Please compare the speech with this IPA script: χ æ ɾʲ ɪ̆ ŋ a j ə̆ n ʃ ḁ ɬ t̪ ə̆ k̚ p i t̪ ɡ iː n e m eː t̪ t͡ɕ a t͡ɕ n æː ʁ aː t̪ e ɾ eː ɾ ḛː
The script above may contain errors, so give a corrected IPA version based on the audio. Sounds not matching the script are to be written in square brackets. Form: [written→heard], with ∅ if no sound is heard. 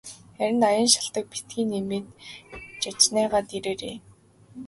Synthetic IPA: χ æ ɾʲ ɪ̆ [ŋ→n] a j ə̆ n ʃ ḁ ɬ t̪ ə̆ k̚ p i t̪ ɡ iː n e m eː t̪ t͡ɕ a t͡ɕ n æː ʁ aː t̪ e ɾ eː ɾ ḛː